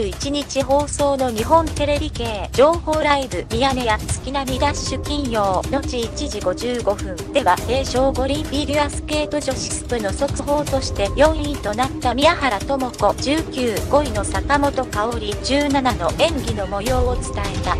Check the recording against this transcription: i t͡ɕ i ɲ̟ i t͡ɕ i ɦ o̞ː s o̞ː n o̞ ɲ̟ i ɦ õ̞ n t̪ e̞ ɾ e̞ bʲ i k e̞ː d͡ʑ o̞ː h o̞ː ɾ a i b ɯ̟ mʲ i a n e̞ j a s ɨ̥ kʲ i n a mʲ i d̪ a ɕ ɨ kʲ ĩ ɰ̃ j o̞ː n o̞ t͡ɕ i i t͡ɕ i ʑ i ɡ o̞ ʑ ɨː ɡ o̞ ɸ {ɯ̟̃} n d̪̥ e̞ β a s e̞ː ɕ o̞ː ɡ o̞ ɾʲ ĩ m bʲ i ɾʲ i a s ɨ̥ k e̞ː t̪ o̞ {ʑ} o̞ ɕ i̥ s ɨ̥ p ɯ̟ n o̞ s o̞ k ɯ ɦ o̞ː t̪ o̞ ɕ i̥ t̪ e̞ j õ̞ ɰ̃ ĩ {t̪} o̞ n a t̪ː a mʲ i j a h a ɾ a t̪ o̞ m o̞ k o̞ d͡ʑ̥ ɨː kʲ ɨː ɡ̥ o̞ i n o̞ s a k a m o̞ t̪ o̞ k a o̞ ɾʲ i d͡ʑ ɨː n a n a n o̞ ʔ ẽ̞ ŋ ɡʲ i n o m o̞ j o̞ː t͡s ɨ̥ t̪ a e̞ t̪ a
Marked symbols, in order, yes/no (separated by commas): yes, yes, yes